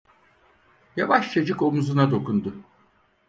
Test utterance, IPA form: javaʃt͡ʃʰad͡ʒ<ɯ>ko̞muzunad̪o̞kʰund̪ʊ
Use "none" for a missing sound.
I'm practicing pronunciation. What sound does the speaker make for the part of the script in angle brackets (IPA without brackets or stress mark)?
ɯ